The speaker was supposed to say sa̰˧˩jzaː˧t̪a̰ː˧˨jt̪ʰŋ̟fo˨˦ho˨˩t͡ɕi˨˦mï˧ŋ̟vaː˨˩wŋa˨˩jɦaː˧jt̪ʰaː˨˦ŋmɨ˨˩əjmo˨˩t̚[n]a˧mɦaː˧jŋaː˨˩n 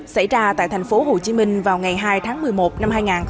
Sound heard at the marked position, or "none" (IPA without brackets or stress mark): n